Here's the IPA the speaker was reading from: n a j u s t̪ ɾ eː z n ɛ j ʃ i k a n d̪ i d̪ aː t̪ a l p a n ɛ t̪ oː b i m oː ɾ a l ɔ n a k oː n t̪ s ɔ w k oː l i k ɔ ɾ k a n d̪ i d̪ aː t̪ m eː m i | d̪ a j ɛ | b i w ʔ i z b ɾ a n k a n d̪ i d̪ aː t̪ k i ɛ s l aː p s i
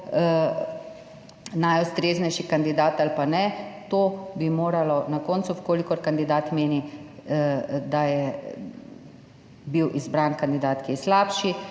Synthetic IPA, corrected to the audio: n a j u s t̪ ɾ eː z n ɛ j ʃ i k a n d̪ i d̪ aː t̪ a l p a n ɛ t̪ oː b i m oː ɾ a l ɔ n a k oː n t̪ s u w k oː l i k ɔ ɾ k a n d̪ i d̪ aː t̪ m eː n i | d̪ a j ɛ | b i w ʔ i z b ɾ a n k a n d̪ i d̪ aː t̪ k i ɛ s l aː p ʃ i

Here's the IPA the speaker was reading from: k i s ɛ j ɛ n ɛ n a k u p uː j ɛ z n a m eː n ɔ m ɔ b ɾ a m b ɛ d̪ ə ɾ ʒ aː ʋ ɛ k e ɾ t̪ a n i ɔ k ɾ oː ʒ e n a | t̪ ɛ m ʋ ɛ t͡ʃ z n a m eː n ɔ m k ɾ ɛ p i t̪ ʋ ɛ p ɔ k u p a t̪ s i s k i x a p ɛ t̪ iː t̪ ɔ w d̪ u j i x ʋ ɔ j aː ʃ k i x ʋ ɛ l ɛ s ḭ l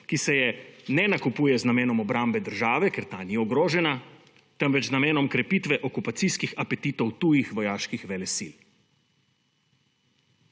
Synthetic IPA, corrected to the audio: k i s ɛ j ɛ n ɛ n a k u p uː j ɛ z n a m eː n ɔ m ɔ b ɾ a m b ɛ d̪ ə ɾ ʒ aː ʋ ɛ k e ɾ t̪ a n i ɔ ɡ ɾ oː ʒ ɛ n a | t̪ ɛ m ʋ ɛ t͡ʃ z n a m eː n ɔ m k ɾ ɛ p i t̪ ʋ ɛ ʔ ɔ k u p a t̪ s i s k i x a p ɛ t̪ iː t̪ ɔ w t̪ u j i x ʋ ɔ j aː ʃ k i x ʋ ɛ l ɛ s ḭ l

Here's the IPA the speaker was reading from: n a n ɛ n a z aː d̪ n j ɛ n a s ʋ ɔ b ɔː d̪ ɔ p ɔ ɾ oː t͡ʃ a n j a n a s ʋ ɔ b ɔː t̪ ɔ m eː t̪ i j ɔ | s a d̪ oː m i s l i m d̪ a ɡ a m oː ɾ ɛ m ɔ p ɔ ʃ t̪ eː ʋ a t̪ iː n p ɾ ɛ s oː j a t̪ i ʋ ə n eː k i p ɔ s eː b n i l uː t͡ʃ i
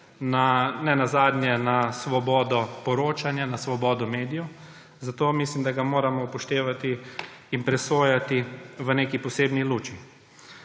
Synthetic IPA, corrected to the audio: n a n ɛ n a z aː d̪ n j ɛ n a s ʋ ɔ b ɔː d̪ ɔ p ɔ ɾ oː t͡ʃ a n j a n a s ʋ ɔ b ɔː d̪ ɔ m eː d̪ i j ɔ | z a t̪ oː m i s l i m d̪ a ɡ a m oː ɾ a m ɔ p ɔ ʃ t̪ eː ʋ a t̪ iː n p ɾ ɛ s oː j a t̪ i ʋ ə n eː k i p ɔ s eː b n i l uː t͡ʃ i

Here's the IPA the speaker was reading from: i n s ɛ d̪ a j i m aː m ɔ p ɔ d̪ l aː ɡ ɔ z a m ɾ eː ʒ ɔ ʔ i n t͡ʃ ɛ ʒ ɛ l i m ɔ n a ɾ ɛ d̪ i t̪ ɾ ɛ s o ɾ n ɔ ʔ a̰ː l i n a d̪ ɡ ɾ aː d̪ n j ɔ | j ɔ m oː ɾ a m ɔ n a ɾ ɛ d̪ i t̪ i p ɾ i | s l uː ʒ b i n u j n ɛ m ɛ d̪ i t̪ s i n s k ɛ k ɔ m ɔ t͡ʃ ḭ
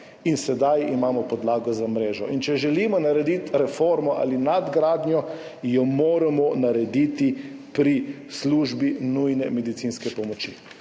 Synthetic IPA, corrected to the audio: i n s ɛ d̪ a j i m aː m ɔ p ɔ d̪ l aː ɡ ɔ z a m ɾ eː ʒ ɔ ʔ i n t͡ʃ ɛ ʒ ɛ l i m ɔ n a ɾ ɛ d̪ i t̪ ɾ ɛ f o ɾ m ɔ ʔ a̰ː l i n a d̪ ɡ ɾ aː d̪ n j ɔ | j ɔ m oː ɾ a m ɔ n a ɾ ɛ d̪ i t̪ i p ɾ i | s l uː ʒ b i n u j n ɛ m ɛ d̪ i t̪ s i n s k ɛ p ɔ m ɔ t͡ʃ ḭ

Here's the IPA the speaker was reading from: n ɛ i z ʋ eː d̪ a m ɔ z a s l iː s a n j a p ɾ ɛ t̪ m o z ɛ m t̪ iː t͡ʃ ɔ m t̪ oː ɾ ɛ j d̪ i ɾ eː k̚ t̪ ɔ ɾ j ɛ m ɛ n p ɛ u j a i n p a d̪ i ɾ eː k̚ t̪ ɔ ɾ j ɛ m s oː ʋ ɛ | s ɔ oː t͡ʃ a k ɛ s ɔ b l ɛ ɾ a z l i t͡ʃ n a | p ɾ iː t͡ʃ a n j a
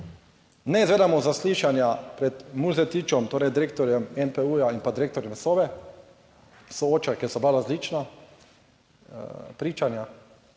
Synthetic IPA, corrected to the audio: n ɛ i z ʋ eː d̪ a m ɔ z a s l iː ʃ a n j a p ɾ ɛ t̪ m u z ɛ t̪ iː t͡ʃ ɔ m t̪ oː ɾ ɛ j d̪ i ɾ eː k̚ t̪ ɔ ɾ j ɛ m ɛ n p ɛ u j a i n p a d̪ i ɾ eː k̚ t̪ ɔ ɾ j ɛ m s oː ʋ ɛ | s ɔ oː t͡ʃ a k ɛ s ɔ b l a ɾ a z l i t͡ʃ n a | p ɾ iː t͡ʃ a n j a

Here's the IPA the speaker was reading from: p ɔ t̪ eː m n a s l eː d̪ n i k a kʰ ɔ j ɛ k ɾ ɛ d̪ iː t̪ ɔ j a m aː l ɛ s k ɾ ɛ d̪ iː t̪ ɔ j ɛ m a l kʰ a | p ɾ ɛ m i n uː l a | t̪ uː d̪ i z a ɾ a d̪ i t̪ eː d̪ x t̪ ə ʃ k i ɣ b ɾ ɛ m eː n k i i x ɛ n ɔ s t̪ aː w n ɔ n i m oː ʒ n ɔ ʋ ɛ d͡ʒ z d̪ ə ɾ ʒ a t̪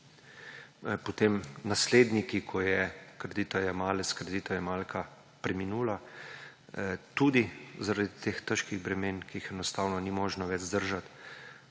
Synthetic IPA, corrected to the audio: p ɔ t̪ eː m n a s l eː d̪ n i k i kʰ ɔ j ɛ k ɾ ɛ d̪ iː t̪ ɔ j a m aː l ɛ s k ɾ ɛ d̪ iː t̪ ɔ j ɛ m a l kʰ a | p ɾ ɛ m i n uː l a | t̪ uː d̪ i z a ɾ a d̪ i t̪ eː x t̪ ə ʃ k i ɣ b ɾ ɛ m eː n k i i x ɛ n ɔ s t̪ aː w n ɔ n i m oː ʒ n ɔ ʋ ɛ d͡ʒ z d̪ ə ɾ ʒ a t̪

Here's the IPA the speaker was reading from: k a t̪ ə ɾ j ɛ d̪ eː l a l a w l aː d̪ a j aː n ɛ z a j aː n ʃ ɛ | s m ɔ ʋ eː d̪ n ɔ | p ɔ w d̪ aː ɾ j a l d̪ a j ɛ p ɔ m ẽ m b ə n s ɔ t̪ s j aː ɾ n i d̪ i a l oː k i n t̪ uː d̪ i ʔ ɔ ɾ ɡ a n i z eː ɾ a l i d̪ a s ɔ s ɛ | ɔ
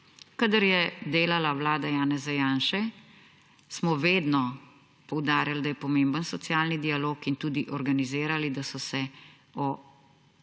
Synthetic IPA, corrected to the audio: k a d̪ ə ɾ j ɛ d̪ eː l a l a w l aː d̪ a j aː n ɛ z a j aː n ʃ ɛ | s m ɔ ʋ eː d̪ n ɔ | p ɔ w d̪ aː ɾ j a l d̪ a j ɛ p ɔ m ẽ m b ə n s ɔ t̪ s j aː l n i d̪ i a l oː k i n t̪ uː d̪ i ʔ ɔ ɾ ɡ a n i z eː ɾ a l i d̪ a s ɔ s ɛ | ɔ

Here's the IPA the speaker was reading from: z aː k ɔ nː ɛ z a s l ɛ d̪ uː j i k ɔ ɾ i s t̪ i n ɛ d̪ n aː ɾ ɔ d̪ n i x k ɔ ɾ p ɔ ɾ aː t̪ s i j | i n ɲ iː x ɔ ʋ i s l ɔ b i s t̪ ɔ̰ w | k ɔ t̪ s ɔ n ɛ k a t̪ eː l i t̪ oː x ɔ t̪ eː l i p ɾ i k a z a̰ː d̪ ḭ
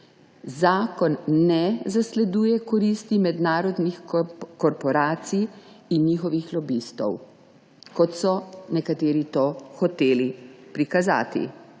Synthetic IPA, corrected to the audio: z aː k ɔ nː ɛ z a s l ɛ d̪ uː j ɛ k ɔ ɾ i s t̪ i m ɛ d̪ n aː ɾ ɔ d̪ n i x k ɔ ɾ p ɔ ɾ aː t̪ s i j | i n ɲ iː x ɔ ʋ i x l ɔ b i s t̪ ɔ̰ w | k ɔ t̪ s ɔ n ɛ k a t̪ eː ɾ i t̪ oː x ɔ t̪ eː l i p ɾ i k a z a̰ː t̪ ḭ

